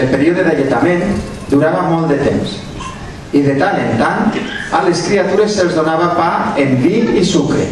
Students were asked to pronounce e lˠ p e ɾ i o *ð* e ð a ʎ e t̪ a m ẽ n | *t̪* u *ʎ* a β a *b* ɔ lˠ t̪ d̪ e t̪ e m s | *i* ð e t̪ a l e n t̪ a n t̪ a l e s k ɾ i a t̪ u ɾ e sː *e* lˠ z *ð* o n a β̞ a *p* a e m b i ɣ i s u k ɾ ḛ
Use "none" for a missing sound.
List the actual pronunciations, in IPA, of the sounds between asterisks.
ð, d̪, ɾ, m, i, e, ð, p

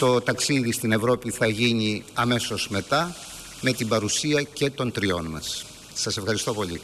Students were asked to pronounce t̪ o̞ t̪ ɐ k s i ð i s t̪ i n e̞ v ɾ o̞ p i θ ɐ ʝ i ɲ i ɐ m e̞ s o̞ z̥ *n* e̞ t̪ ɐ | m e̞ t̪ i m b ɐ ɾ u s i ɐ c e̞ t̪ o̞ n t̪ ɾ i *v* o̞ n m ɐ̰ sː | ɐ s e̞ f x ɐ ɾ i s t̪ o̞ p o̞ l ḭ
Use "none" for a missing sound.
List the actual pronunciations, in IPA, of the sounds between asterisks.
m, none

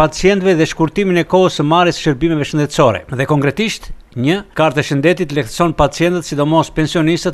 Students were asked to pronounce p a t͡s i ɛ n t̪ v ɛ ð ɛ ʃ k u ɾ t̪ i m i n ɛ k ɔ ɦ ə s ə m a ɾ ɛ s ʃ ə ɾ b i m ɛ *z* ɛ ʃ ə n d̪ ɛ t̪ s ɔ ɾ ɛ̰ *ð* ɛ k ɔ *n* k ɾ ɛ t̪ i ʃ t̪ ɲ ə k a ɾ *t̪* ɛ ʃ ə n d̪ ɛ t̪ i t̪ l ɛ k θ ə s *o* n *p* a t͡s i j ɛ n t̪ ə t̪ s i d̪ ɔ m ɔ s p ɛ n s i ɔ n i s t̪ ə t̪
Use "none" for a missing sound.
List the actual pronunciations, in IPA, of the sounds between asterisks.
v, ð, ŋ, t̪, ɔ, p

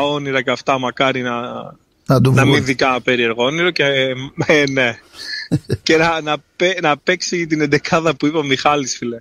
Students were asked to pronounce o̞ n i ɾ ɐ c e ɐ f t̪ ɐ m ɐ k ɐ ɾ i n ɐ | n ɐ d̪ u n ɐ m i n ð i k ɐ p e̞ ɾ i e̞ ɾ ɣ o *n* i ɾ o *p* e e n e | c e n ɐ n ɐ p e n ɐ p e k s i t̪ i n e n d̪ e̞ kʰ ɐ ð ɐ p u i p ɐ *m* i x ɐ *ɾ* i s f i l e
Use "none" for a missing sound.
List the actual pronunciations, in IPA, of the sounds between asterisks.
n, c, m, l

